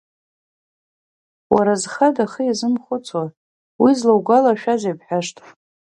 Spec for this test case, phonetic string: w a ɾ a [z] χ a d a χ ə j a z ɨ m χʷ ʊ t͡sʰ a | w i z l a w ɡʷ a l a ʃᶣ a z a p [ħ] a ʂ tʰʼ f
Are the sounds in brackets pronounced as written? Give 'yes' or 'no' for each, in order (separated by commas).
yes, yes